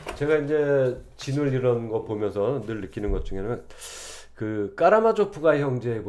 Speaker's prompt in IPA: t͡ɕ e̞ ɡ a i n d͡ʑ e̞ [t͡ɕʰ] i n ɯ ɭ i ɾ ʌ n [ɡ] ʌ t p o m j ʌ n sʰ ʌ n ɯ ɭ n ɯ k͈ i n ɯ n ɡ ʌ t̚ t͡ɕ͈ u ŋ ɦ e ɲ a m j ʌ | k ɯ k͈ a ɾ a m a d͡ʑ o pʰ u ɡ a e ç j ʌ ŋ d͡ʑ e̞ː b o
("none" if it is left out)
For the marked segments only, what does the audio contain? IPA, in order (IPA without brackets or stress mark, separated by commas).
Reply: t͡ɕ, ɡ